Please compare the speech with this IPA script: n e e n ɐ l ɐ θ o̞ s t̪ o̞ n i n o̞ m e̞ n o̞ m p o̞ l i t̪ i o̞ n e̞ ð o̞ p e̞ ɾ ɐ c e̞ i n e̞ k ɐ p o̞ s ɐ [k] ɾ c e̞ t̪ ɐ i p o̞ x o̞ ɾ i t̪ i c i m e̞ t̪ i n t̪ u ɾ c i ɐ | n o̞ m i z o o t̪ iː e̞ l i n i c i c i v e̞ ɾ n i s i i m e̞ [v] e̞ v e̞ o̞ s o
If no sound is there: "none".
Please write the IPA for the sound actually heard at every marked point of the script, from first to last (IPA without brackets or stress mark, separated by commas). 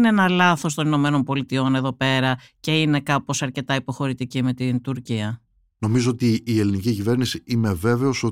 none, v